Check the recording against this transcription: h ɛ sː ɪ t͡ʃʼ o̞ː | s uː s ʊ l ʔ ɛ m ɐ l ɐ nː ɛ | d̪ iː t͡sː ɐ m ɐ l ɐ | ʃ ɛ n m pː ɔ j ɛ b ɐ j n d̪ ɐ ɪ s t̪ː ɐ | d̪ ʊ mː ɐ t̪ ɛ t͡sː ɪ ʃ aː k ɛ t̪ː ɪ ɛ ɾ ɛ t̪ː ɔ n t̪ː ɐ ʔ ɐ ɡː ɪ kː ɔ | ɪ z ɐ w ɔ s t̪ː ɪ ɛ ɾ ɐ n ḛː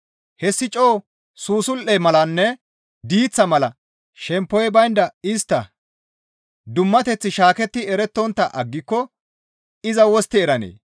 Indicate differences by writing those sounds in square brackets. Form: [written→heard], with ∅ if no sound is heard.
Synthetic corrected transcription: h ɛ sː ɪ t͡ʃʼ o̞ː | s uː s ʊ l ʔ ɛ m ɐ l ɐ nː ɛ | d̪ iː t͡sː ɐ m ɐ l ɐ | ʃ ɛ [n→∅] m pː ɔ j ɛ b ɐ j n d̪ ɐ ɪ s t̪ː ɐ | d̪ ʊ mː ɐ t̪ ɛ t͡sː ɪ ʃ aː k ɛ t̪ː ɪ ɛ ɾ ɛ t̪ː ɔ n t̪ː ɐ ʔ ɐ ɡː ɪ kː ɔ | ɪ z ɐ w ɔ s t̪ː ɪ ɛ ɾ ɐ n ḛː